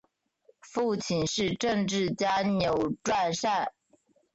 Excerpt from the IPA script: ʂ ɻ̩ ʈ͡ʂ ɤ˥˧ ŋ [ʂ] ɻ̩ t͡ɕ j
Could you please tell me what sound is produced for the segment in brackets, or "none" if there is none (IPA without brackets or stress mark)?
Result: ʈ͡ʂ